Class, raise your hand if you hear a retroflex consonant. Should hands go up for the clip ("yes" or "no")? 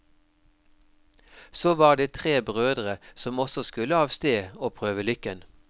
no